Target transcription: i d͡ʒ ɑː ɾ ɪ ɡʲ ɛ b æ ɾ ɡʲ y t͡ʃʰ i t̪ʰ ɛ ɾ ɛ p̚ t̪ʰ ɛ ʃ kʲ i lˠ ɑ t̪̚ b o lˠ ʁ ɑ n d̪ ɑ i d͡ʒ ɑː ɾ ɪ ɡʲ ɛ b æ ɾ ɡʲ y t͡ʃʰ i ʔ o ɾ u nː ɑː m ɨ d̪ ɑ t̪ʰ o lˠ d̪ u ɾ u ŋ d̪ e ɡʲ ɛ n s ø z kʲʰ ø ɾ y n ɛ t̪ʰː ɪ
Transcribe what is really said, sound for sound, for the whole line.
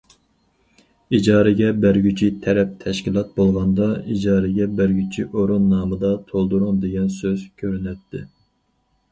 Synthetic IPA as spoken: i d͡ʒ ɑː ɾ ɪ ɡʲ ɛ b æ ɾ ɡʲ y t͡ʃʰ i t̪ʰ ɛ ɾ ɛ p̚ t̪ʰ ɛ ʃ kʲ i lˠ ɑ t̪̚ b o lˠ ʁ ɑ n d̪ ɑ i d͡ʒ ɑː ɾ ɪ ɡʲ ɛ b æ ɾ ɡʲ y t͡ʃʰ i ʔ o ɾ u nː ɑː m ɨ d̪ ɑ t̪ʰ o lˠ d̪ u ɾ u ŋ d̪ e ɡʲ ɛ n s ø z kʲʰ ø ɾ y n ɛ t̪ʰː ɪ

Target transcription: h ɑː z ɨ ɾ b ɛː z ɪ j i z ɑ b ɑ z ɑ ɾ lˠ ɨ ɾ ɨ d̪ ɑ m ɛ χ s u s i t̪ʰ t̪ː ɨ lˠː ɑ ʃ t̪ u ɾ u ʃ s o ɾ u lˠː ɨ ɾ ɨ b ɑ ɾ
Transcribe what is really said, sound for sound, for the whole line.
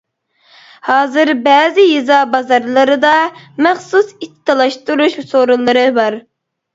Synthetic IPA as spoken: h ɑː z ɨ ɾ b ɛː z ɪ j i z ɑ b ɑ z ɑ ɾ lˠ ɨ ɾ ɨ d̪ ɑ m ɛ χ s u s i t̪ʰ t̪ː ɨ lˠ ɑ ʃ t̪ u ɾ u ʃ s o ɾ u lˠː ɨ ɾ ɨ b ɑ ɾ

